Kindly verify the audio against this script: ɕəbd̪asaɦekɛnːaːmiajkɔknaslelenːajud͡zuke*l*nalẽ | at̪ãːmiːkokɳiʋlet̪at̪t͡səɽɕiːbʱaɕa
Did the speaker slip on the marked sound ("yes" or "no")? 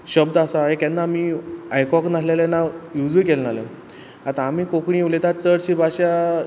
no